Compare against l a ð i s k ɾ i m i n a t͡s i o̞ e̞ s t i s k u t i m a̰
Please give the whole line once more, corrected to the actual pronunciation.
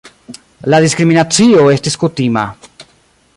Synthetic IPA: l a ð i s k ɾ i m i n a t͡s i o̞ e̞ s t i s k u t i m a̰